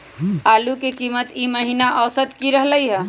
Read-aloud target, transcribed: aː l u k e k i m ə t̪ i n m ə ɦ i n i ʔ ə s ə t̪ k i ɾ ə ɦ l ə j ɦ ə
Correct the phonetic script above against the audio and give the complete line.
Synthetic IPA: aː l u k e k i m ə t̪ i m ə ɦ i n a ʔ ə s ə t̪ k i ɾ ə ɦ l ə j ɦ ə